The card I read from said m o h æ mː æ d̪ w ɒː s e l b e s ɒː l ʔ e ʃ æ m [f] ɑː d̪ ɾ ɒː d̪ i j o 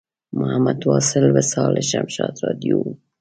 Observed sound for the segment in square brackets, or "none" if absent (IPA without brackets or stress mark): ʃ